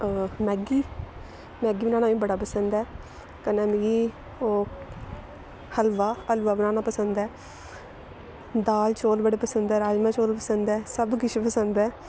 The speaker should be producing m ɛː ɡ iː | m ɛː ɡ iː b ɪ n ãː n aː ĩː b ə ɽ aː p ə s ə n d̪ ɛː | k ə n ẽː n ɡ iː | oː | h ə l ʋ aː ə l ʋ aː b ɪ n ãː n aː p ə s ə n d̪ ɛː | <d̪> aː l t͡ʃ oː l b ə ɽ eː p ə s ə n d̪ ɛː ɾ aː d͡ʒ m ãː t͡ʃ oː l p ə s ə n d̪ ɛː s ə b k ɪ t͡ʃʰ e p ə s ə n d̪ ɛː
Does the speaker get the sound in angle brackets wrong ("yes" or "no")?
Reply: no